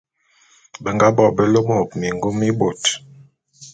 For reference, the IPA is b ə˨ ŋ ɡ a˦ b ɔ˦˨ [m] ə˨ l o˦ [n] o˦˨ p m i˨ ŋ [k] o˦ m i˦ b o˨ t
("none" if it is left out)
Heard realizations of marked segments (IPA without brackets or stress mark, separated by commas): b, m, ɡ